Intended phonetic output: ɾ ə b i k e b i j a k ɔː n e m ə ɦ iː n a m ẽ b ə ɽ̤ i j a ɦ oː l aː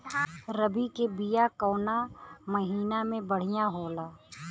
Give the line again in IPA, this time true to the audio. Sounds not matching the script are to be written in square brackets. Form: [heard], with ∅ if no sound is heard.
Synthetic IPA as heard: ɾ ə b i k e b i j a k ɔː n [a] m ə ɦ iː n a m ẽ b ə ɽ̤ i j a ɦ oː l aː